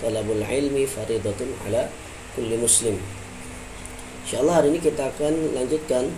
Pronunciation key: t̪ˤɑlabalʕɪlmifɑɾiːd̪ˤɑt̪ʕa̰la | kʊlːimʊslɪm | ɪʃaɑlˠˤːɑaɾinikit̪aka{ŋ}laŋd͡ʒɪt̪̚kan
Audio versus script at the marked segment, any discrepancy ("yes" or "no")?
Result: yes